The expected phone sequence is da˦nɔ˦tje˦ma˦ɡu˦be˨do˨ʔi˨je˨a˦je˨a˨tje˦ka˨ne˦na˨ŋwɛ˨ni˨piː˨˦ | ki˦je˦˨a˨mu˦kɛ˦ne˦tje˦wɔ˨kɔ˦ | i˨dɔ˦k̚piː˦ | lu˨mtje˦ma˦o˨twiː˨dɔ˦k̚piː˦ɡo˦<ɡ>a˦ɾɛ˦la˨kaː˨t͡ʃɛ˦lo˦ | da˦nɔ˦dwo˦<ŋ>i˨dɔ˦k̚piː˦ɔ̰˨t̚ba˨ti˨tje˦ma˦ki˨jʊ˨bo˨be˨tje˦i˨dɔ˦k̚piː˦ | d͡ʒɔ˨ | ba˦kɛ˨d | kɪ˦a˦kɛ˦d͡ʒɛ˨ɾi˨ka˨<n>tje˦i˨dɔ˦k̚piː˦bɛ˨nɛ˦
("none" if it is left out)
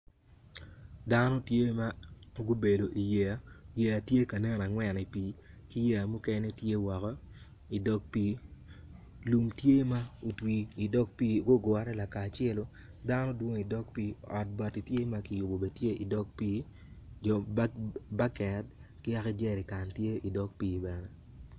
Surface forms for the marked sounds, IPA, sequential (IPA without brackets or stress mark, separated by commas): ɡ, ŋ, n